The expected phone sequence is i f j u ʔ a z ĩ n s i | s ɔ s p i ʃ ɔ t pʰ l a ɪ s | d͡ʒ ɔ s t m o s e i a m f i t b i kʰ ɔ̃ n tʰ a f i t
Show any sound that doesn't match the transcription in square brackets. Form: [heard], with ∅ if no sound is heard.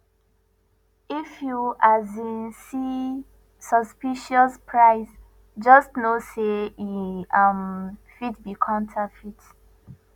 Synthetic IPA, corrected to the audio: i f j u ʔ a z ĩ n s i | s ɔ s p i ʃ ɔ [s] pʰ [ɹ] a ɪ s | d͡ʒ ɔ s t [n] o s e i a m f i t b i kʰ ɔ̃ n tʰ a f i t